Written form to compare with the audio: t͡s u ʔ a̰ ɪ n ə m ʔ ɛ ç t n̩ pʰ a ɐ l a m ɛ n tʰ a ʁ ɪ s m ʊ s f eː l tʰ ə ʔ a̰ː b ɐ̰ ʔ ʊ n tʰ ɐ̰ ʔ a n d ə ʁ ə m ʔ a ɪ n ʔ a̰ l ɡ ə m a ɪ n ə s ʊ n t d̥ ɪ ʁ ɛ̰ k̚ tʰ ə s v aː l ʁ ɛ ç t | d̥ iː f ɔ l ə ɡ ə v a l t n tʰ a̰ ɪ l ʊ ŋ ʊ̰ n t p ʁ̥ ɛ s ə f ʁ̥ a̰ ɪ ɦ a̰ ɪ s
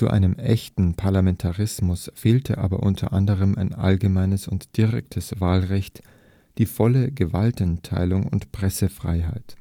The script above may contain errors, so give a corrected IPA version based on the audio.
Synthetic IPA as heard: t͡s u ʔ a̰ ɪ n ə m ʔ ɛ ç t n̩ pʰ a ɐ l a m ɛ n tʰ a ʁ ɪ s m ʊ s f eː l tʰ ə ʔ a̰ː b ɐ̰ ʔ ʊ n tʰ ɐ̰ ʔ a n d ə ʁ ə m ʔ a ɪ n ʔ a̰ l ɡ ə m a ɪ n ə s ʊ n t d̥ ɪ ʁ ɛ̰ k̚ tʰ ə s v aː l ʁ ɛ ç t | d̥ iː f ɔ l ə ɡ ə v a l t n tʰ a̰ ɪ l ʊ ŋ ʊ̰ n t p ʁ̥ ɛ s ə f ʁ̥ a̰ ɪ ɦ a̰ ɪ t